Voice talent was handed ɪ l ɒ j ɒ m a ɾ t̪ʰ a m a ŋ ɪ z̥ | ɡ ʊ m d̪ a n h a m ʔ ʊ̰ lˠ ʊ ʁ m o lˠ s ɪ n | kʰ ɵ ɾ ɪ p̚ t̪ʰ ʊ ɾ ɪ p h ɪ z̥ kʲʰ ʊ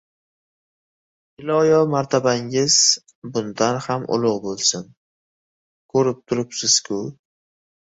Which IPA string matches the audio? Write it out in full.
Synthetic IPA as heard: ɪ l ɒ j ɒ m a ɾ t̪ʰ a b a ŋ ɪ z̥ | b ʊ n d̪ a n h a m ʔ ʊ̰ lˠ ʊ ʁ b o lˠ s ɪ n | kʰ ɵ ɾ ɪ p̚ t̪ʰ ʊ ɾ ɪ p s ɪ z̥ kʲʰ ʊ